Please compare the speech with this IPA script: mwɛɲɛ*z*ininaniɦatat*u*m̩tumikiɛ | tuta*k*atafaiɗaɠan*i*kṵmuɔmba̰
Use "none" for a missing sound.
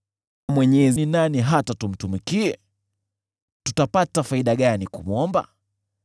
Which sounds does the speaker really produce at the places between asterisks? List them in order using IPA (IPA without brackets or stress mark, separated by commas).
z, u, p, i